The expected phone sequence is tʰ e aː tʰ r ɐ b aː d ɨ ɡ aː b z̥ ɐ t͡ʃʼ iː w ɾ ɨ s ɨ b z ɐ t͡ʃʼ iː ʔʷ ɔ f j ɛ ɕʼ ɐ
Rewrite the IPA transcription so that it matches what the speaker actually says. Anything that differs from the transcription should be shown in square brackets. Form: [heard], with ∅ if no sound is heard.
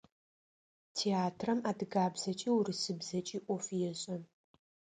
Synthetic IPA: tʰ e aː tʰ r ɐ [m] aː d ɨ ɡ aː b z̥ ɐ t͡ʃʼ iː w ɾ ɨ s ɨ b z ɐ t͡ʃʼ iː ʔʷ ɔ f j ɛ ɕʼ ɐ